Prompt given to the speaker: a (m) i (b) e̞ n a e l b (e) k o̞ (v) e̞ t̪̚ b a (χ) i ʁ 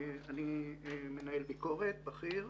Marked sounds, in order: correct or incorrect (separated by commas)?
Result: incorrect, incorrect, incorrect, incorrect, correct